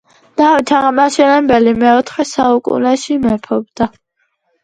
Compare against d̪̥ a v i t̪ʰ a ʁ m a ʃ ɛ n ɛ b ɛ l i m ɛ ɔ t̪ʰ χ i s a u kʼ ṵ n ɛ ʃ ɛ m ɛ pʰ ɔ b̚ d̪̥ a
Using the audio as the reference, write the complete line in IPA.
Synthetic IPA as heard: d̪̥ a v i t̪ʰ a ʁ m a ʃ ɛ n ɛ b ɛ l i m ɛ ɔ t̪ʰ χ ɛ s a u kʼ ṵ n ɛ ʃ i m ɛ pʰ ɔ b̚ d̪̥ a